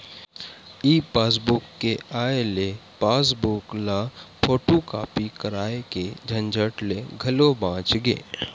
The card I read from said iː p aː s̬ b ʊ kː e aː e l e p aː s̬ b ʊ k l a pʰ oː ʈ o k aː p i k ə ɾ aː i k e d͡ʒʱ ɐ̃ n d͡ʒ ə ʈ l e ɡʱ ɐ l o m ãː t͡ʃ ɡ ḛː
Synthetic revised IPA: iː p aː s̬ b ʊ kː e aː e l e p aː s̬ b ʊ k l a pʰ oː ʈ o k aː p i k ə ɾ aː e k e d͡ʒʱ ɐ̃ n d͡ʒ ə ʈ l e ɡʱ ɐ l o b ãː t͡ʃ ɡ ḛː